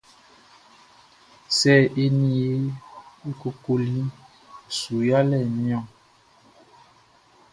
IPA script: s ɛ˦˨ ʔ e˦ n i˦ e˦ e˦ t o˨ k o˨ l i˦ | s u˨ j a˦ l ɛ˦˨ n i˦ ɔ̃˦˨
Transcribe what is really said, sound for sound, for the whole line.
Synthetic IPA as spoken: s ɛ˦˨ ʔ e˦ n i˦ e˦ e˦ k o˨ k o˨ l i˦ | s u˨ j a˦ l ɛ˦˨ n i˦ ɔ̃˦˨